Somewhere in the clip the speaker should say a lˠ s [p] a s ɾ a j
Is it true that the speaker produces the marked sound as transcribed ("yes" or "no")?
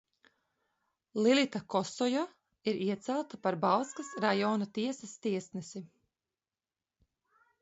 no